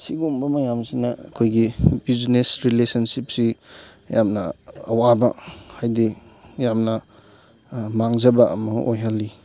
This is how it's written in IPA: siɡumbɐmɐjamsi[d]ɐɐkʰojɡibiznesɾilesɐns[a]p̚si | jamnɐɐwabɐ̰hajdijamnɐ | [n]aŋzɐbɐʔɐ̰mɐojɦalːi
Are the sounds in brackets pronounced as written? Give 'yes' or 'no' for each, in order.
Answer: no, no, no

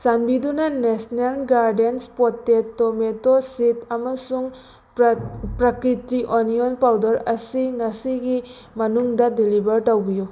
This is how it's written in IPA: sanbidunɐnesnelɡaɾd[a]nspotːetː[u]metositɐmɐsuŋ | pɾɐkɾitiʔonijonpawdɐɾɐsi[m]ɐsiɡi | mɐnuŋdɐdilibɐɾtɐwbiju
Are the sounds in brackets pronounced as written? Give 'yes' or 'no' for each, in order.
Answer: no, no, no

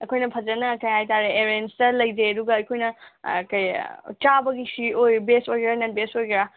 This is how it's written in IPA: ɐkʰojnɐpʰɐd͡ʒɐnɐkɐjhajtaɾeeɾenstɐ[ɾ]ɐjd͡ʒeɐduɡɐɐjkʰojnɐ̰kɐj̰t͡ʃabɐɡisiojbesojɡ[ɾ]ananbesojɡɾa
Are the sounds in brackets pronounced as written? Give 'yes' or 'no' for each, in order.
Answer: no, yes

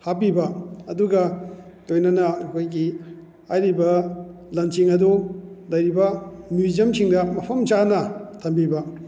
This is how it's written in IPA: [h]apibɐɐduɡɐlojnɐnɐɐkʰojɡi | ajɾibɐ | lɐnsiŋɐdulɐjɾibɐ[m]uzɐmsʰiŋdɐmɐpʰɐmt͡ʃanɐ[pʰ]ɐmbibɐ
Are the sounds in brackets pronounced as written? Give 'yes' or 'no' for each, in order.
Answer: yes, yes, no

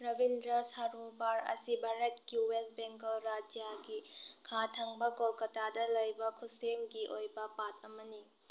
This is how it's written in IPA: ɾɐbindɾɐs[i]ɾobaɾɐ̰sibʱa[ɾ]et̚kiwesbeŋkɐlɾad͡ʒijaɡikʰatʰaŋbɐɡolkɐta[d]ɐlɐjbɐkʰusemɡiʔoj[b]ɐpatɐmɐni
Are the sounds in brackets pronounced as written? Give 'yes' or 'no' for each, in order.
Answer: no, yes, yes, yes

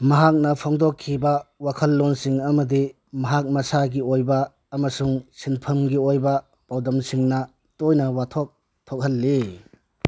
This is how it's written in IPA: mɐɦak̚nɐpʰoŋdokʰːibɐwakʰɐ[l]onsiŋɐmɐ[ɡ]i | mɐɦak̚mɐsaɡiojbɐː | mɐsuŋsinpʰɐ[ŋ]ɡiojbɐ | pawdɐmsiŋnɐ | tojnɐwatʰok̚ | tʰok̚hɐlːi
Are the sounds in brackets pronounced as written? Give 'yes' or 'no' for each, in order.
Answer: no, no, no

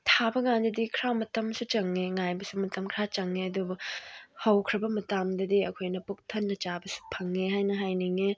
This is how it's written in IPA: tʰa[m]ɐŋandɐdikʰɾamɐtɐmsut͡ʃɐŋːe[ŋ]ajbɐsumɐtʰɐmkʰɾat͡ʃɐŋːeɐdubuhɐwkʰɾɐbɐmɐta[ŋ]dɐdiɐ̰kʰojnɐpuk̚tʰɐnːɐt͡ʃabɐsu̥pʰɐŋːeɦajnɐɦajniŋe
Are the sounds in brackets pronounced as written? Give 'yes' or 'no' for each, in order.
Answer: no, yes, no

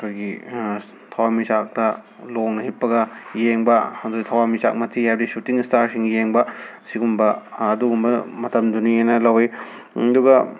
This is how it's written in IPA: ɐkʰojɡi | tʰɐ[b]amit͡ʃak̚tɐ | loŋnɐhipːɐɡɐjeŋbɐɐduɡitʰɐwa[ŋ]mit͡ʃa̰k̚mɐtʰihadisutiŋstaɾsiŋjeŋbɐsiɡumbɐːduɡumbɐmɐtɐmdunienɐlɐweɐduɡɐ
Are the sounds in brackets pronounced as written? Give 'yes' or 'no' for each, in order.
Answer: no, no

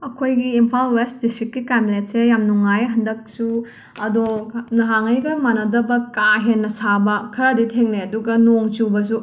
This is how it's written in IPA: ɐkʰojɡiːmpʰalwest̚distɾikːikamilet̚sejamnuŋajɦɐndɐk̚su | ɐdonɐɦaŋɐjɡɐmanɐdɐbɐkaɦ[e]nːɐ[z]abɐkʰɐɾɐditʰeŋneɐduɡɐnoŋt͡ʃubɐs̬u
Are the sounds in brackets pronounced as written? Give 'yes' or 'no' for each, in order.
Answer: yes, no

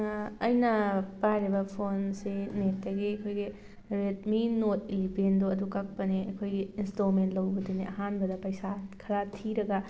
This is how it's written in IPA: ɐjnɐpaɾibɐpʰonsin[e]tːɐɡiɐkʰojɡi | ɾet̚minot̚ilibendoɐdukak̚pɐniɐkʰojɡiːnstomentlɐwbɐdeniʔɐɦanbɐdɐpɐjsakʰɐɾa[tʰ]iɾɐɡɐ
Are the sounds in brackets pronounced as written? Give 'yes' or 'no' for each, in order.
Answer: yes, yes

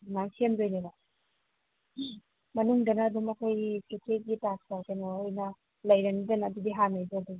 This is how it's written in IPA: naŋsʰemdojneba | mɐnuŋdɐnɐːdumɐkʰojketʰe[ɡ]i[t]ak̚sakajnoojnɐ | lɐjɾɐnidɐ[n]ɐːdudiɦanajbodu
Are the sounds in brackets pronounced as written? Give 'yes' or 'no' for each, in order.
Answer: yes, yes, yes

